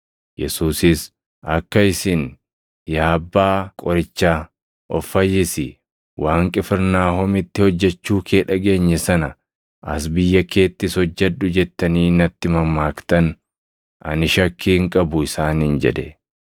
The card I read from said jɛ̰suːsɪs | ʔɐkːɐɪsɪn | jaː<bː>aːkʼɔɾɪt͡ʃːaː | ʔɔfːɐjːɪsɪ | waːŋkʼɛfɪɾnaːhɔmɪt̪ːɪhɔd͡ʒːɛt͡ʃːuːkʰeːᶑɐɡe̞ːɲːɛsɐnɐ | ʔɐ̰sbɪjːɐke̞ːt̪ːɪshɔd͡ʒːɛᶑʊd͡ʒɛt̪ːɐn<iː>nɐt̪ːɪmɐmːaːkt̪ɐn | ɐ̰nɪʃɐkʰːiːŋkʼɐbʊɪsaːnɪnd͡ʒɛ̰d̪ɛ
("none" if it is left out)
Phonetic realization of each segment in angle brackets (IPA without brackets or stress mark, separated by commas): bː, iː